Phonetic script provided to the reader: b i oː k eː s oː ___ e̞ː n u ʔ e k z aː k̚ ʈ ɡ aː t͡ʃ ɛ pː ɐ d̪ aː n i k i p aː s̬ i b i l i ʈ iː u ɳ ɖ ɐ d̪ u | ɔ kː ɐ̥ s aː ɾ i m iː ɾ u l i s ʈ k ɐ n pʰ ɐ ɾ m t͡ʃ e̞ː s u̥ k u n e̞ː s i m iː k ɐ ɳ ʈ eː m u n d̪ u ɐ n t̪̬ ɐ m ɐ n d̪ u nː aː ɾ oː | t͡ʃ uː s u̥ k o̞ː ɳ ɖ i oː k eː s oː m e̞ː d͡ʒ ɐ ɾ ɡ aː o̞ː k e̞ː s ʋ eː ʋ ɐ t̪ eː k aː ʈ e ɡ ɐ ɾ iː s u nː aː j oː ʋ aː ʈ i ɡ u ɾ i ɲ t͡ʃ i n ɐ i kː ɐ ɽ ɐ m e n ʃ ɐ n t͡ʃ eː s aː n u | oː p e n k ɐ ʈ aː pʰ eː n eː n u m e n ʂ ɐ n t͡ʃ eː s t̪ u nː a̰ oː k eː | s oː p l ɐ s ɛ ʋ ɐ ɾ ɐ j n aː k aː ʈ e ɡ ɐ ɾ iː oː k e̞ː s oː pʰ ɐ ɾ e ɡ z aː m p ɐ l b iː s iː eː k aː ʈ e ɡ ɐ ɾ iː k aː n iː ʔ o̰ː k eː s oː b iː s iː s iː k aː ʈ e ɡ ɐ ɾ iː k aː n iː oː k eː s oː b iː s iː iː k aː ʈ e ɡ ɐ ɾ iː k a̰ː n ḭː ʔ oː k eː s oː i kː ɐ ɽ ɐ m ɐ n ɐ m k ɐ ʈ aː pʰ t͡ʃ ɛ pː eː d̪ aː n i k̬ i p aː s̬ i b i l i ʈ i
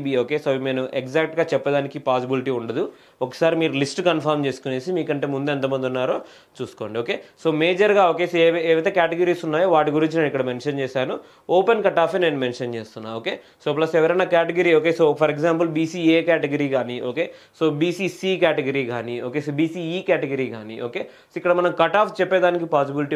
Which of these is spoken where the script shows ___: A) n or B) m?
B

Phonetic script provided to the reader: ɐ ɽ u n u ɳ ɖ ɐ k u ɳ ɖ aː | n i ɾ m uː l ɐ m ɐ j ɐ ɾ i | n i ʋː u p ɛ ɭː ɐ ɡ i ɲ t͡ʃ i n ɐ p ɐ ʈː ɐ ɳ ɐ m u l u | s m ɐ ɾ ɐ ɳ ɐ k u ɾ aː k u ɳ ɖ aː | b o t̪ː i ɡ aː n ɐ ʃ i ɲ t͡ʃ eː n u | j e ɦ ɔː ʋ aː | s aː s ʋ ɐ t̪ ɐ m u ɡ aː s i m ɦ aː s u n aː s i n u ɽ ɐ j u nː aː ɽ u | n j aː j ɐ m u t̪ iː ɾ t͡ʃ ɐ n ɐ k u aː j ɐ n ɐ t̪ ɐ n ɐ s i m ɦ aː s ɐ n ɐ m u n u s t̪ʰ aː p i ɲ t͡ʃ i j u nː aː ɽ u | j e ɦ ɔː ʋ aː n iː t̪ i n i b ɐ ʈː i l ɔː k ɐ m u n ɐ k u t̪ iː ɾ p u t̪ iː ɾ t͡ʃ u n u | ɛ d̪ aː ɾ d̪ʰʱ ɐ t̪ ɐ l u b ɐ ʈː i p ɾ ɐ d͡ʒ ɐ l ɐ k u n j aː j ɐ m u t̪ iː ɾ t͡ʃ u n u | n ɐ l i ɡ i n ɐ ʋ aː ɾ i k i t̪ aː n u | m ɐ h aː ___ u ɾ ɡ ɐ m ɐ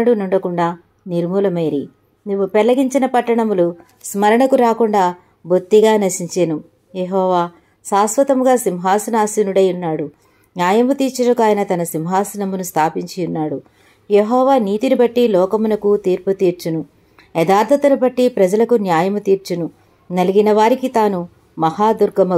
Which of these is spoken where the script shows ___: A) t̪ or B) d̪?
B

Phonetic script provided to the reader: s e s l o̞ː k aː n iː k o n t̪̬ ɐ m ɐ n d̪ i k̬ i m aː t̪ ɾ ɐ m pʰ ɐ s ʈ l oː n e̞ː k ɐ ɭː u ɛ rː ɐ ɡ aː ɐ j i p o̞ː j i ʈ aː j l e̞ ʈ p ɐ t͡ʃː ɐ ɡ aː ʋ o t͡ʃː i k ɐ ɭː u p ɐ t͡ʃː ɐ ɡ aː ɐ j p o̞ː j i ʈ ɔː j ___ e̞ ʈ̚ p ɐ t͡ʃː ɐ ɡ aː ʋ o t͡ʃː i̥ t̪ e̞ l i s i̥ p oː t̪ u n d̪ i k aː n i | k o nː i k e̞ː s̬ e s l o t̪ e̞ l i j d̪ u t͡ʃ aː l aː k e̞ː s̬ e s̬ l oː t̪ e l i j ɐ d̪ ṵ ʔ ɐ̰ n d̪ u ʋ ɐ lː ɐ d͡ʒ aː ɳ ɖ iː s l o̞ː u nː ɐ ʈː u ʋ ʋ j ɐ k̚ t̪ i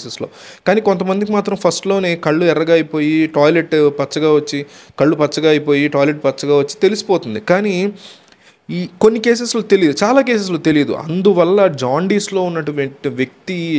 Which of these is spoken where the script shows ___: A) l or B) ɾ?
A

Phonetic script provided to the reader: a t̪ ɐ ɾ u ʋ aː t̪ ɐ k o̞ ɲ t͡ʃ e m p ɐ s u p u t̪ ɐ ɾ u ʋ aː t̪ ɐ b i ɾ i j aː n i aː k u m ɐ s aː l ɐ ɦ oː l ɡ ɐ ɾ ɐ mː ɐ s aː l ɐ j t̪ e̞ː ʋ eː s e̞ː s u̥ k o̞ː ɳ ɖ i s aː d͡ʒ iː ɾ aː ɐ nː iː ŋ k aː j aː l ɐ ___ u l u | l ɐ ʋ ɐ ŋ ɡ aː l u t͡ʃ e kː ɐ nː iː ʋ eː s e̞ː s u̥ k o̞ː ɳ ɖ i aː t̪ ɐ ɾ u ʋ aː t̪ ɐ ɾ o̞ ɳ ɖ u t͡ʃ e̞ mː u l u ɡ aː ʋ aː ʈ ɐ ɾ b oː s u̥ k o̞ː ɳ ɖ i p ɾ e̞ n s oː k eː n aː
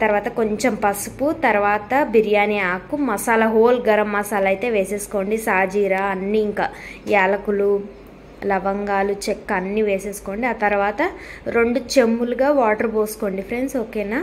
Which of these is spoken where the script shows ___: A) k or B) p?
A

